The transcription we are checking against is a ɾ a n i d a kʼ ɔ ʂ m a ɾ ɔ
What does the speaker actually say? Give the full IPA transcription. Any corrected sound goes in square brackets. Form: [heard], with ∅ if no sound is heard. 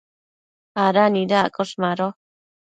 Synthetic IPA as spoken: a ɾ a n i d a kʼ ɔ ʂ m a ɾ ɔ